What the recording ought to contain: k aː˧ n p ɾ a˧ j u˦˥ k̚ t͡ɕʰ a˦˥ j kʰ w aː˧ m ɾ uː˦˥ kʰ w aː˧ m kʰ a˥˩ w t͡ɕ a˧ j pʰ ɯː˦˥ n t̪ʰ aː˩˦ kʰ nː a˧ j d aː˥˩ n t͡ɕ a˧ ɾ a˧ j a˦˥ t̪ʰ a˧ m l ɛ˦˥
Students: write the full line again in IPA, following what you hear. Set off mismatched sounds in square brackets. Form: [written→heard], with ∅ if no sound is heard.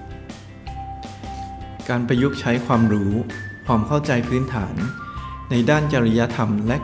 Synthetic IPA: k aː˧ n p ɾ a˧ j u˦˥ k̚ t͡ɕʰ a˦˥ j kʰ w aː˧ m ɾ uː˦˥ kʰ w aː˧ m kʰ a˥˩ w t͡ɕ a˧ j pʰ ɯː˦˥ n t̪ʰ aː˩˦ [kʰ→∅] nː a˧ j d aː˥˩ n t͡ɕ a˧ ɾ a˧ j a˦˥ t̪ʰ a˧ m l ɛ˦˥

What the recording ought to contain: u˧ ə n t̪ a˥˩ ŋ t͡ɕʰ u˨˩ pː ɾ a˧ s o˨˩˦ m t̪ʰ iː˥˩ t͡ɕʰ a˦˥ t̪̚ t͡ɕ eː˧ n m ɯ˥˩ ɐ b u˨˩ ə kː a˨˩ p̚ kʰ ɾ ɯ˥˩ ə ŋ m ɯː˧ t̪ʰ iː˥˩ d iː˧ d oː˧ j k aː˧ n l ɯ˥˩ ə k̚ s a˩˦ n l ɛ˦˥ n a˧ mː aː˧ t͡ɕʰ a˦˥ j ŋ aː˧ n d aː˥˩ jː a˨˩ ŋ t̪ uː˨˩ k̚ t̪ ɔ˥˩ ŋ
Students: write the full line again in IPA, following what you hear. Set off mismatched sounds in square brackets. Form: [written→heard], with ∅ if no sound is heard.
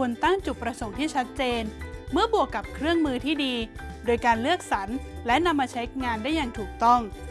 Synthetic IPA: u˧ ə n t̪ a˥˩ ŋ [t͡ɕʰ→t͡ɕ] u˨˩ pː ɾ a˧ s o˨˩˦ [m→ŋ] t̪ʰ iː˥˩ t͡ɕʰ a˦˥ t̪̚ t͡ɕ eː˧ n m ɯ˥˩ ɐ b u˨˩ ə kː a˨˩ p̚ kʰ ɾ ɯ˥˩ ə ŋ m ɯː˧ t̪ʰ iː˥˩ d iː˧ d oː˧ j k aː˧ n l ɯ˥˩ ə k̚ s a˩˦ n l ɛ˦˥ n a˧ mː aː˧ t͡ɕʰ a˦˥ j ŋ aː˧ n d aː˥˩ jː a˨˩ ŋ [t̪→t̪ʰ] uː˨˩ k̚ t̪ ɔ˥˩ ŋ

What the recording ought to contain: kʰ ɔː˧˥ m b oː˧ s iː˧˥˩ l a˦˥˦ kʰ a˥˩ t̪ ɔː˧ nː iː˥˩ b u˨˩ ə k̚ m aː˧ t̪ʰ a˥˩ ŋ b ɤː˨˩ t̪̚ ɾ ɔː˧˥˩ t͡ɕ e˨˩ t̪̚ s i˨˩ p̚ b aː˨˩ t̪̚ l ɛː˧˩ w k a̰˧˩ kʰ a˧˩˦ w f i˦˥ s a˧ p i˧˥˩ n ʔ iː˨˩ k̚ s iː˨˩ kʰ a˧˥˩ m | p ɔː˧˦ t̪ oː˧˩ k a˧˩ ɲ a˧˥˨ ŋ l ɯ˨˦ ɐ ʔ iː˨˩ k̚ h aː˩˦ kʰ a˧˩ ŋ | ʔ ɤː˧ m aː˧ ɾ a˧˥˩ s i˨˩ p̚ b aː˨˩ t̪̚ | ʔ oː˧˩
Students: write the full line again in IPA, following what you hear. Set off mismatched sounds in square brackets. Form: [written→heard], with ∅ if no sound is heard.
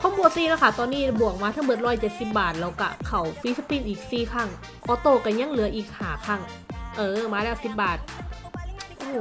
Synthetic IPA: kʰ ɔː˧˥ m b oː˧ s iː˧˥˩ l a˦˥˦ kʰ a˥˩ t̪ ɔː˧ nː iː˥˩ b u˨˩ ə k̚ m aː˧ t̪ʰ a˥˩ ŋ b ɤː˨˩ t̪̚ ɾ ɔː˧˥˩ t͡ɕ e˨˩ t̪̚ s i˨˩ p̚ b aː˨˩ t̪̚ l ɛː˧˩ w k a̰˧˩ kʰ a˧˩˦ w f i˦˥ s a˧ p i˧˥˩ n ʔ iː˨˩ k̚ s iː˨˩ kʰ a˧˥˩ [m→ŋ] | [p→ʔ] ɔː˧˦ t̪ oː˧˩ k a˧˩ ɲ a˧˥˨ ŋ l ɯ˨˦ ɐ ʔ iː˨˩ k̚ h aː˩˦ kʰ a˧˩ ŋ | ʔ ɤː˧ m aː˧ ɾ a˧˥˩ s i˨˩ p̚ b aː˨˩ t̪̚ | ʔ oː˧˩

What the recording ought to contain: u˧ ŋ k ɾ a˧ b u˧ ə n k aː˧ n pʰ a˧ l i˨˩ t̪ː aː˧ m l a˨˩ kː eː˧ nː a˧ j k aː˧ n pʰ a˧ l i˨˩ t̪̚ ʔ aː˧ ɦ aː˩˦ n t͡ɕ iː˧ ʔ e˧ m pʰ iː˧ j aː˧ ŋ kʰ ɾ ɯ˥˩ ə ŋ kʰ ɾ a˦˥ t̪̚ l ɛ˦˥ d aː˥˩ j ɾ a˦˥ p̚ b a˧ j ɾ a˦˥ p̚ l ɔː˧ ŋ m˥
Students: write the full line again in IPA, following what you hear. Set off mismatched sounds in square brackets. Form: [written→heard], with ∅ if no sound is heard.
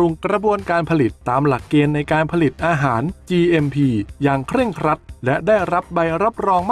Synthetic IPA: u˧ ŋ k ɾ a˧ b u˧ ə n k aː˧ n pʰ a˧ l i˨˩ t̪ː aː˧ m l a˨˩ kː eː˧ nː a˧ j k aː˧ n pʰ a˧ l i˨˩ t̪̚ ʔ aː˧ ɦ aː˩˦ n t͡ɕ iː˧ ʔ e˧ m pʰ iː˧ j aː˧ ŋ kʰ ɾ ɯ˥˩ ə ŋ kʰ ɾ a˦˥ t̪̚ l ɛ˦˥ d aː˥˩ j ɾ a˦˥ p̚ b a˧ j ɾ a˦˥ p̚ [l→ɾ] ɔː˧ ŋ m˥

